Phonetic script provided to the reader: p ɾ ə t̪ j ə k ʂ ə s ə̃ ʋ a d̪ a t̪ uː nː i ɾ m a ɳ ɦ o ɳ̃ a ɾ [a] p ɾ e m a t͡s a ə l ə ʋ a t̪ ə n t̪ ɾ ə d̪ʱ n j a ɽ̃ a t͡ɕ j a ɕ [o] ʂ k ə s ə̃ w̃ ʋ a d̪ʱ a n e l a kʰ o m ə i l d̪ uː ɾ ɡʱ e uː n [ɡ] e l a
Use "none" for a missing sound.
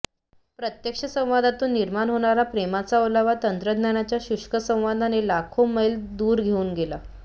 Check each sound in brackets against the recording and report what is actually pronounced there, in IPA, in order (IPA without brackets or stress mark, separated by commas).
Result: a, u, ɡ